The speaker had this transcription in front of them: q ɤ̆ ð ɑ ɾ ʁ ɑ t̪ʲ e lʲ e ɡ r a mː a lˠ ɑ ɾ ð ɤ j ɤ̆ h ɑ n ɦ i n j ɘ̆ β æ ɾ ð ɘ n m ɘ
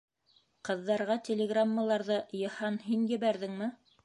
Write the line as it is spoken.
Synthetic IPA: q ɤ̆ ðː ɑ ɾ ʁ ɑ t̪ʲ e lʲ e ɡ r a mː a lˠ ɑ ɾ ð ɤ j ɤ̆ h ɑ n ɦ i n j ɘ̆ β æ ɾ ð ɘ ŋ m ɘ